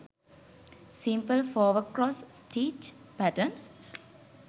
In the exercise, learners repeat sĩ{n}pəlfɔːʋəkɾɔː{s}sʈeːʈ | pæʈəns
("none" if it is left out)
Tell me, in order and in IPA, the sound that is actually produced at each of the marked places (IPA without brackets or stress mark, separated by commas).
m, s